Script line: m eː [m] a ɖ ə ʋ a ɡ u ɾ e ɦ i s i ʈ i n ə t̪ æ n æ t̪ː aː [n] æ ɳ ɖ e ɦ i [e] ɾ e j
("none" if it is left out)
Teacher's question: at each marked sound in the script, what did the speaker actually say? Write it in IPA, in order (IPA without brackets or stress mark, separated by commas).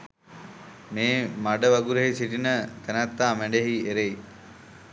m, m, e